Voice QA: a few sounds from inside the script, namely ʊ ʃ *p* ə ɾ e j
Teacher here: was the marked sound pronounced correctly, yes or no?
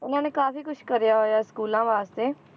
no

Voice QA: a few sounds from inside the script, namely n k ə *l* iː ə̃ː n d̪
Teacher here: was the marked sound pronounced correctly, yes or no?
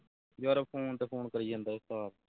no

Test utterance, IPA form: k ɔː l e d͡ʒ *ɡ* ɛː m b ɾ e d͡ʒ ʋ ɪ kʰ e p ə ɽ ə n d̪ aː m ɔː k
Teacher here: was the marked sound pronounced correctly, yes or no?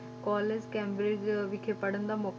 no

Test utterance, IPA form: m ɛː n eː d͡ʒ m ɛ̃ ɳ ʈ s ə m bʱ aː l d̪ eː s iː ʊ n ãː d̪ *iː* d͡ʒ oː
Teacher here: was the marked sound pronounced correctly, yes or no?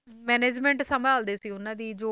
yes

